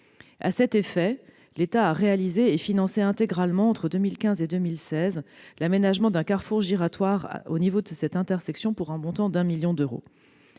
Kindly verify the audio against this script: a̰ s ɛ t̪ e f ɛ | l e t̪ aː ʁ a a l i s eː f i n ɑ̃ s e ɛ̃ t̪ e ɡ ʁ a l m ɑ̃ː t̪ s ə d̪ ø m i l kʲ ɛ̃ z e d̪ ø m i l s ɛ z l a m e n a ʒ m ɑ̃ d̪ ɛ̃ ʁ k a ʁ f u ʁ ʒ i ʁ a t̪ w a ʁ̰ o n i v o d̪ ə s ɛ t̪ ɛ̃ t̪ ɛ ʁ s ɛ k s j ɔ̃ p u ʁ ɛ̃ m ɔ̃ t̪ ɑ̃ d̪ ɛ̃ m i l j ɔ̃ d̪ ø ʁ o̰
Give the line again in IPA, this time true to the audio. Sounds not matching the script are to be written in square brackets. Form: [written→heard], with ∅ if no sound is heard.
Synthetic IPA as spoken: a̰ s ɛ t̪ e f ɛ | l e t̪ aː ʁ [a→e] a l i [s→z] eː f i n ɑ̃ s e ɛ̃ t̪ e ɡ ʁ a l m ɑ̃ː t̪ [s→χ] ə d̪ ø m i l kʲ ɛ̃ z e d̪ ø m i l s ɛ z l a m e n a ʒ m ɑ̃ d̪ ɛ̃ [ʁ→∅] k a ʁ f u ʁ ʒ i ʁ a t̪ w a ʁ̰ o n i v o d̪ ə s ɛ t̪ ɛ̃ t̪ ɛ ʁ s ɛ k s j ɔ̃ p u ʁ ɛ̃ m ɔ̃ t̪ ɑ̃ d̪ ɛ̃ m i l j ɔ̃ d̪ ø ʁ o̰